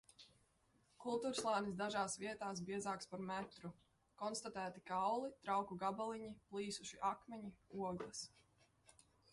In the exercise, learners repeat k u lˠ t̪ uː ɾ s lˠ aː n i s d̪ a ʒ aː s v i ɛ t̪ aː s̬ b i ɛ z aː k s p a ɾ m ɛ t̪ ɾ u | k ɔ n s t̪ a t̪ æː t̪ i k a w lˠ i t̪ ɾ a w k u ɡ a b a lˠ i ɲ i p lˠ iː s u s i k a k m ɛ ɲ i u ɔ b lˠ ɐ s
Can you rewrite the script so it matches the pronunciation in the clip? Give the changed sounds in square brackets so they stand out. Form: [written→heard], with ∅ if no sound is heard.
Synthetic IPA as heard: k u lˠ t̪ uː ɾ s lˠ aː n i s d̪ a ʒ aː s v i ɛ t̪ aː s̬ b i ɛ z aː k s p a ɾ m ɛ t̪ ɾ u | k ɔ n s t̪ a t̪ æː t̪ i k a w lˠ i t̪ ɾ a w k u ɡ a b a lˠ i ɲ i p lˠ iː s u [s→ʃ] i [k→ʔ] a k m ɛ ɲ i u ɔ [b→ɡ] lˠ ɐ s